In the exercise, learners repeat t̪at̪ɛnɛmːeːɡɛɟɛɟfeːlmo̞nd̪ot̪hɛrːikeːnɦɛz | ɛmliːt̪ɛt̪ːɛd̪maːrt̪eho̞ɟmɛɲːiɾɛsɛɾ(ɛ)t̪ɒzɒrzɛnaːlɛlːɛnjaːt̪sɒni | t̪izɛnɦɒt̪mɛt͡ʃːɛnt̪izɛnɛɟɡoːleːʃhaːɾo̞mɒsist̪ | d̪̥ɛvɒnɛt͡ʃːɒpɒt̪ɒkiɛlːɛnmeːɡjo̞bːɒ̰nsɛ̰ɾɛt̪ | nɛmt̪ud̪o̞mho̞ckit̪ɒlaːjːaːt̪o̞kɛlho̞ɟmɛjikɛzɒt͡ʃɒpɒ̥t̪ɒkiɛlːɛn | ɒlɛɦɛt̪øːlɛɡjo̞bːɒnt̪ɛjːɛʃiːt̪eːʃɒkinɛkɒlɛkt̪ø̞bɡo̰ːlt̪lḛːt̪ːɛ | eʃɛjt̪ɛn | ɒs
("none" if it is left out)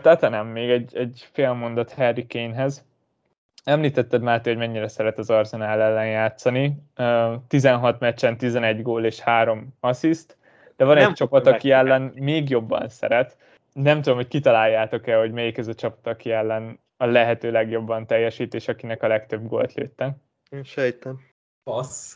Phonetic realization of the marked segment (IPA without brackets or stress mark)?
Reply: ɛ